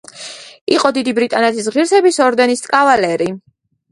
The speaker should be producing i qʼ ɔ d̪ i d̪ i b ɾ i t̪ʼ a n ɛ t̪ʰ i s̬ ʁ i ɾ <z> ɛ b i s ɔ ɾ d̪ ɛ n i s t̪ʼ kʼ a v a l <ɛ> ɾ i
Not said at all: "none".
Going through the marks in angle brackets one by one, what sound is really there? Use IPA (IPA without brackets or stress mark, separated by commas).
s, ɛ